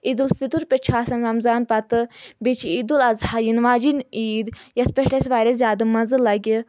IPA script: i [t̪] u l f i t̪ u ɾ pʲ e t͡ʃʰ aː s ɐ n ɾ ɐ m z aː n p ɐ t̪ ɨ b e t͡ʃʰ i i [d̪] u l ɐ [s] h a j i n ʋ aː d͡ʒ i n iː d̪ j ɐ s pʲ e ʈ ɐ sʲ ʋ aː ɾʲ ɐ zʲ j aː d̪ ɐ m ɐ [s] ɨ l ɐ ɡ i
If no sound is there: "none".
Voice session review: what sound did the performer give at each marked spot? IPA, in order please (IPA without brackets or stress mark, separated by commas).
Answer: d̪, d̪, z, z